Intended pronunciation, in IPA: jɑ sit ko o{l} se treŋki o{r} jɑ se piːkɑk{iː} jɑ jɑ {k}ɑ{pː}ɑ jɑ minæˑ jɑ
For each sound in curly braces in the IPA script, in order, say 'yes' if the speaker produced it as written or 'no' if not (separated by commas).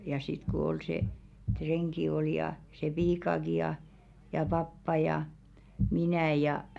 yes, no, no, no, yes